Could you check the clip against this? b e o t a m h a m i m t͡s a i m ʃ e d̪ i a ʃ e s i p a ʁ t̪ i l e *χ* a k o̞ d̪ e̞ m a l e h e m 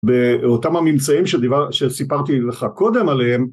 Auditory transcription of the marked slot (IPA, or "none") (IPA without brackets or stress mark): χ